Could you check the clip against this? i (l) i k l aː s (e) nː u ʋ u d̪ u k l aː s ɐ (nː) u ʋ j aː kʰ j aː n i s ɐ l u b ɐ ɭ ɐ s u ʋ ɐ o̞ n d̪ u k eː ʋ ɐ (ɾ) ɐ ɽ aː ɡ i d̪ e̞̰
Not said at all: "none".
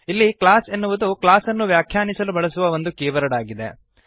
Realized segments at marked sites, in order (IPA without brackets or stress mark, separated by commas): lː, e, nː, ɾ